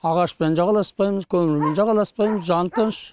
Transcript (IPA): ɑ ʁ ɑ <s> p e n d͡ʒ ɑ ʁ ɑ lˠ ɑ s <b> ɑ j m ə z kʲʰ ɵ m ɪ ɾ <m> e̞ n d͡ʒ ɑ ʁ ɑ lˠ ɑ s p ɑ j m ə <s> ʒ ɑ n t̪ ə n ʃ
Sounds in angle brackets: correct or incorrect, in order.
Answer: incorrect, incorrect, correct, incorrect

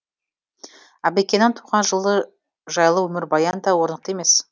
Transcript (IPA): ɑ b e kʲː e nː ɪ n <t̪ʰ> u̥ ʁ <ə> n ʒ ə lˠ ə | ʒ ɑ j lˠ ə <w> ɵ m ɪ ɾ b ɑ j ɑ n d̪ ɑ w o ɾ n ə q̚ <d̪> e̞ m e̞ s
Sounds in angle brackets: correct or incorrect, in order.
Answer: correct, incorrect, correct, incorrect

